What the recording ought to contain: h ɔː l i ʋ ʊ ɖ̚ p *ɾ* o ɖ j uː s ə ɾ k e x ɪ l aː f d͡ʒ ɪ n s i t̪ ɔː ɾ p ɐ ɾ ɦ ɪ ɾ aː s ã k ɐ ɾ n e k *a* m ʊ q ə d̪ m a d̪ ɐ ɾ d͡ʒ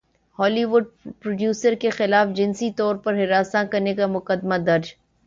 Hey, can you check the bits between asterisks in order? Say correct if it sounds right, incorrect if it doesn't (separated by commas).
correct, correct